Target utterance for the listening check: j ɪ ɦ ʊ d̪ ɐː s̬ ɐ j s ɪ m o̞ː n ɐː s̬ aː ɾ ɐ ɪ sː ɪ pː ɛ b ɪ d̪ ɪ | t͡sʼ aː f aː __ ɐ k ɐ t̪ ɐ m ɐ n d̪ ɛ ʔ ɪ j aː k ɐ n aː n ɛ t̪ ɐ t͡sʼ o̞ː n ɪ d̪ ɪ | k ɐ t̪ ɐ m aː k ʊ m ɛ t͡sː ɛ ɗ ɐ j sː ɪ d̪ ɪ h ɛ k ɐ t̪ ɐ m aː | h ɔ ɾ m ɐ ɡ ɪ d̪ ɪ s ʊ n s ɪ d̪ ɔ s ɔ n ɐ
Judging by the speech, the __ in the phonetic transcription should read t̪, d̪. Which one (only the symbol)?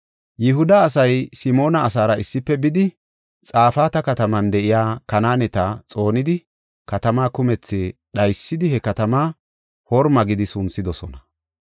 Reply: t̪